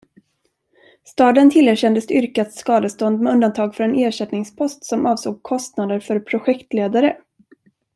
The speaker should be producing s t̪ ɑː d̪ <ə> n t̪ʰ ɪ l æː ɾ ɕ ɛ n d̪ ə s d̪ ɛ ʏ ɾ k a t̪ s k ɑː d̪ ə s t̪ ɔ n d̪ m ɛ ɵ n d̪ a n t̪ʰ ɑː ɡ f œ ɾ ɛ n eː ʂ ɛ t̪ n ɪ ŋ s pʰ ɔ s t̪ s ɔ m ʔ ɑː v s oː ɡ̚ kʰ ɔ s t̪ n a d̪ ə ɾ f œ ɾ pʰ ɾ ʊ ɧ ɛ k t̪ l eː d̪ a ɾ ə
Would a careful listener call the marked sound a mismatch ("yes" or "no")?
no